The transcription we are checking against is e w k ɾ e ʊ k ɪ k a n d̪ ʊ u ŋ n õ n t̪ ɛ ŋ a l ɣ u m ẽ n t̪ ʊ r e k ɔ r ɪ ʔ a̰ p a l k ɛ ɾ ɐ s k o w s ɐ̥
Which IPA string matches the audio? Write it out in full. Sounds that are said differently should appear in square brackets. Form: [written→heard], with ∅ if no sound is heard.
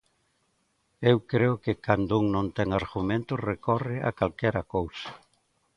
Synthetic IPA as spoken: e w k ɾ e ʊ k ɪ k a n d̪ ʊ u ŋ n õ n t̪ ɛ ŋ a [l→ɾ] ɣ u m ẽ n t̪ ʊ r e k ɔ r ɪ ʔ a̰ [p→k] a l k ɛ ɾ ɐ [s→∅] k o w s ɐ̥

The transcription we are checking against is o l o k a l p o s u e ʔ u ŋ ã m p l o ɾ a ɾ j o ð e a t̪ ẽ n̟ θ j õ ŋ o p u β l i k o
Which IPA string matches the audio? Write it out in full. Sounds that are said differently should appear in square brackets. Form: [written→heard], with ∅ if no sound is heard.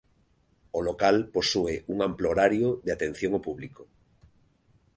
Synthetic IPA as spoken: o l o k a l p o s u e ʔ u ŋ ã m p l o ɾ a ɾ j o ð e a t̪ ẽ n̟ θ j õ ŋ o p u β l i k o

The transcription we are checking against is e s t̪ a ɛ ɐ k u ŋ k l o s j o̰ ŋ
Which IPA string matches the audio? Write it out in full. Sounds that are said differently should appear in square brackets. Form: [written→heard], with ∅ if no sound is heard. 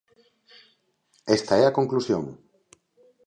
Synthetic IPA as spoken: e s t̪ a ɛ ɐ k [u→o] ŋ k l [o→u] s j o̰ ŋ

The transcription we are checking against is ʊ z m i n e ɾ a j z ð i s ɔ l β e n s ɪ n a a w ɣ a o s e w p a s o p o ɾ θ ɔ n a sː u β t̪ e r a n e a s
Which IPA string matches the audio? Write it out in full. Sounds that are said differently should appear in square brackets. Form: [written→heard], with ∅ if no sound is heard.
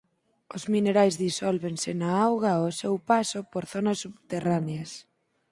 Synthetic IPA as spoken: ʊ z m i n e ɾ a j z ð i s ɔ l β e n s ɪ n a a w ɣ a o s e w p a s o p o ɾ θ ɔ n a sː u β t̪ e r a n e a s

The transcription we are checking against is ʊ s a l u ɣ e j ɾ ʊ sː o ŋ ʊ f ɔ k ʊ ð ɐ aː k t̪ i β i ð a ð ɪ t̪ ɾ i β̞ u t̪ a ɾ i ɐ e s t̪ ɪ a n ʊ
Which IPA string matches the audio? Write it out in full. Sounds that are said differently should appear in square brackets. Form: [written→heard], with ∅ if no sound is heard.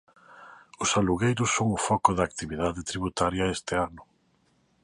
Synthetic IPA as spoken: ʊ s a l u ɣ e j ɾ ʊ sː o ŋ ʊ f ɔ k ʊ ð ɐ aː k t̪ i β i ð a ð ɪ t̪ ɾ i β̞ u t̪ a ɾ [i→j] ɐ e s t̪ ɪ a n ʊ

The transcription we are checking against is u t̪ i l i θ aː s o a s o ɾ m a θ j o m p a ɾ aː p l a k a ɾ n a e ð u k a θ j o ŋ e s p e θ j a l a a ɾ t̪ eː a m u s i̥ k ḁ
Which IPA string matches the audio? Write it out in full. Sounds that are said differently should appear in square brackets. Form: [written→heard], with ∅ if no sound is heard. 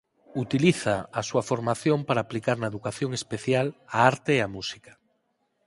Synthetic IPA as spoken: u t̪ i l i θ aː s [o→u] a [s→f] o ɾ m a θ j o m p a ɾ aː p l [a→i] k a ɾ n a e ð u k a θ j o ŋ e s p e θ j a l a a ɾ t̪ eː a m u s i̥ k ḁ

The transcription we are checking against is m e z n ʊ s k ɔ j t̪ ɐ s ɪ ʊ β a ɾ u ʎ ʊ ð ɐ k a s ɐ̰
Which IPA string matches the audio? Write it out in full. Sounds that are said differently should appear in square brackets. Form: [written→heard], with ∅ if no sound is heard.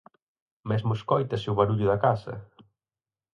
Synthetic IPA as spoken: m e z [n→m] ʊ s k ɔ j t̪ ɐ s ɪ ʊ β a ɾ u ʎ ʊ ð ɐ k a s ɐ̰

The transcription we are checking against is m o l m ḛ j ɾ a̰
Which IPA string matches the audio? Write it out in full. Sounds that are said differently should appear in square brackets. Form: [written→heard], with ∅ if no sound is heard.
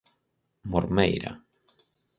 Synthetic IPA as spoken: m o [l→ɾ] m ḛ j ɾ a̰

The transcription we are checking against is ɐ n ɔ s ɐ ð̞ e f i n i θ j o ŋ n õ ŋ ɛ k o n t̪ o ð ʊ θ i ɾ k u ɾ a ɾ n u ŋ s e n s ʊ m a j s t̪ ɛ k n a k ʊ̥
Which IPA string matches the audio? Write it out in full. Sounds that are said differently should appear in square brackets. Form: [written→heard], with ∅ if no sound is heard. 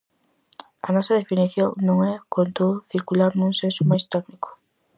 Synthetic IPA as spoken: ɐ n ɔ s ɐ ð̞ e f i n i θ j o ŋ n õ ŋ ɛ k o n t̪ o ð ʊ θ i ɾ k u [ɾ→l] a ɾ n u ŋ s e n s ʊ m a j s t̪ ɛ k n [a→i] k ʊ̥

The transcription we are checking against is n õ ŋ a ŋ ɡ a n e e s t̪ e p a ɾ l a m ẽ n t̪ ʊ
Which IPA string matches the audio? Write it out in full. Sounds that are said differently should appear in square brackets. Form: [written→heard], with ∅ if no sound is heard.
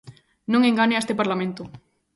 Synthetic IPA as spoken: n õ ŋ [a→e] ŋ ɡ a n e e s t̪ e p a ɾ l a m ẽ n t̪ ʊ

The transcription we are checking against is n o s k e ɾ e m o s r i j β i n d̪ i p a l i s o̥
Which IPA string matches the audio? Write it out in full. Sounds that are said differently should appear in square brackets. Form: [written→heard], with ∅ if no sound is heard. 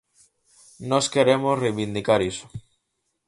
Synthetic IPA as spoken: n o s k e ɾ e m o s r [i→e] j β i n d̪ i [p→k] a [l→ɾ] i s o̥

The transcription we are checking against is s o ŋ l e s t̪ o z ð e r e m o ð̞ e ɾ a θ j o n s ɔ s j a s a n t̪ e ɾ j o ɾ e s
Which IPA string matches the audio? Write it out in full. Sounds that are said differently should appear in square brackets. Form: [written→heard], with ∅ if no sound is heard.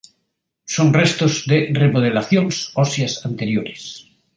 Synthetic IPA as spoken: s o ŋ [l→r] e s t̪ o z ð e r e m o ð̞ e [ɾ→l] a θ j o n s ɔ s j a s a n t̪ e ɾ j o ɾ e s

